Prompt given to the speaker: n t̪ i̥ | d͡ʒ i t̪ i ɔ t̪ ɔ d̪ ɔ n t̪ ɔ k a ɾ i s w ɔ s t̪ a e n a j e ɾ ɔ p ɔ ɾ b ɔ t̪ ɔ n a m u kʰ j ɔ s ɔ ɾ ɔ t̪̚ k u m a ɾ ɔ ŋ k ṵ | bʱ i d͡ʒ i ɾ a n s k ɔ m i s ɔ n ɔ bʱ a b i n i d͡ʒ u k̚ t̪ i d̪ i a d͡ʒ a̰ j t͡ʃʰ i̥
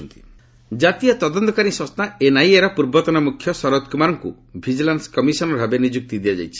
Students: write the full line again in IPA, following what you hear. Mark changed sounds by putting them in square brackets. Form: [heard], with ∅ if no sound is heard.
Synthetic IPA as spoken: n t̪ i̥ | d͡ʒ [a] t̪ i ɔ t̪ ɔ d̪ ɔ n t̪ ɔ k a ɾ i s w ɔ s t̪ a e n a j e ɾ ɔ p [u] ɾ b ɔ t̪ ɔ n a m u kʰ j ɔ s ɔ ɾ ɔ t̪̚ k u m a ɾ ɔ ŋ k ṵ | bʱ i d͡ʒ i [l] a n s k ɔ m i s ɔ n ɔ bʱ a b [e] n i d͡ʒ u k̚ t̪ i d̪ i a d͡ʒ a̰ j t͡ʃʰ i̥